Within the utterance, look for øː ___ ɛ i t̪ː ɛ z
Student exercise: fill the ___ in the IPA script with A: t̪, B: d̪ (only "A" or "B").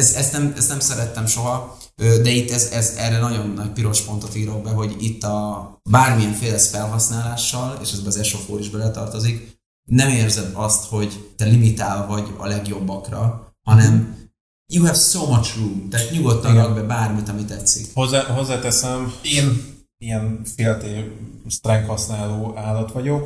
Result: B